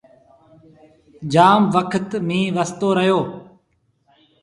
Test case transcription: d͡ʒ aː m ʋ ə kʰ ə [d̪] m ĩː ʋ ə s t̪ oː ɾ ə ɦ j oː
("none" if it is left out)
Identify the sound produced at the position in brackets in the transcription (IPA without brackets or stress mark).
t̪